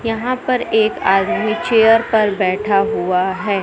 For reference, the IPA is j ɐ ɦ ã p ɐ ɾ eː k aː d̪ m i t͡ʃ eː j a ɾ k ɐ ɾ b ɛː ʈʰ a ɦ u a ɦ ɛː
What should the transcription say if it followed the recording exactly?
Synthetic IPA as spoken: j ɐ ɦ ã p ɐ ɾ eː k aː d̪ m i t͡ʃ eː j ə ɾ p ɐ ɾ b ɛː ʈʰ a ɦ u a ɦ ɛː